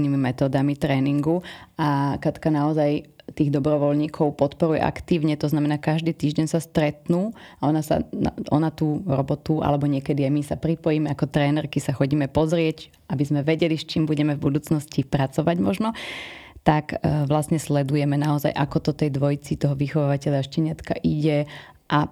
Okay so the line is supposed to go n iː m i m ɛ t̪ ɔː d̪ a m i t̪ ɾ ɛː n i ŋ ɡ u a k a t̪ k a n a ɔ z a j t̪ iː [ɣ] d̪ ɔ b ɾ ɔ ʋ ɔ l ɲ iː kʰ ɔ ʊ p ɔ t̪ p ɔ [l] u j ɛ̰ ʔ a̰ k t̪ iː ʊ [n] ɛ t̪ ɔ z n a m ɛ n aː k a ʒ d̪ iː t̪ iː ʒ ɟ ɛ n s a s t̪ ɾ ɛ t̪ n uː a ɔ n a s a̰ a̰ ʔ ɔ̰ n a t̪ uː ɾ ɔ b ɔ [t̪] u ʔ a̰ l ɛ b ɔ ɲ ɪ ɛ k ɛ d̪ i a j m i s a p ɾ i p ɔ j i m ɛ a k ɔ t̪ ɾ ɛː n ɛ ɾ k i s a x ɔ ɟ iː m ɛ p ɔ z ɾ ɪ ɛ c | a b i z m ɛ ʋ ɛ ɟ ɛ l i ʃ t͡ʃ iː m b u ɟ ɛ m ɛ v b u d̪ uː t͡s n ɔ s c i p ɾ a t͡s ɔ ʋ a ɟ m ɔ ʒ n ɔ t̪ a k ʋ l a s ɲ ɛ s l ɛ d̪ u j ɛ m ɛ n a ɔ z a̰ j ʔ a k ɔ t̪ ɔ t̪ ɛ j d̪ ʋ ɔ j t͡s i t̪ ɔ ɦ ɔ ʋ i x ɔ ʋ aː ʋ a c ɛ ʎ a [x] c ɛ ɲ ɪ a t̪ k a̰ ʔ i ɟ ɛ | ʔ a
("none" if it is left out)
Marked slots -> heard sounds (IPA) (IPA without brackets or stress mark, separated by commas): ɣ, ɾ, ɲ, t̪, ʃ